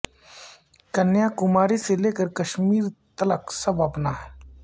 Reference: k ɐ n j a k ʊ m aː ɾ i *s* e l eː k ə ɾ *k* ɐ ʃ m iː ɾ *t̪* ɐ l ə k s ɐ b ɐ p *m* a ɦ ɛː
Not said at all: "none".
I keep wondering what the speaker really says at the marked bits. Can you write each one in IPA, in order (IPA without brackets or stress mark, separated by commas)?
s, k, t̪, n